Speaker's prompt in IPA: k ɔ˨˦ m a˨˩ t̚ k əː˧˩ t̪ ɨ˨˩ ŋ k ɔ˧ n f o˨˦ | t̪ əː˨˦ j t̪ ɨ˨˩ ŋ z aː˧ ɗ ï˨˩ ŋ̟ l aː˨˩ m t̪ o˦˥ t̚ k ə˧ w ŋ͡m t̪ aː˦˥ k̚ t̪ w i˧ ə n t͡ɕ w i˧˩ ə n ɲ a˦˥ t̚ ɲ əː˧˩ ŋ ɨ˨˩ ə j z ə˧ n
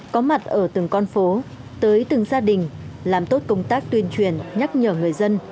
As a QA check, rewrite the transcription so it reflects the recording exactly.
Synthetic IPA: k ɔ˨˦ m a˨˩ t̚ ʔ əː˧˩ t̪ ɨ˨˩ ŋ k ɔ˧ n f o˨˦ | t̪ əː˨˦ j t̪ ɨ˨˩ ŋ z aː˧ ɗ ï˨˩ ŋ̟ l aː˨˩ m t̪ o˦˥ t̚ k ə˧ w ŋ͡m t̪ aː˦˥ k̚ t̪ w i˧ ə n t͡ɕ w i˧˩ ə n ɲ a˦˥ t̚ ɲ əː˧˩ ŋ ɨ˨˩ ə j z ə˧ n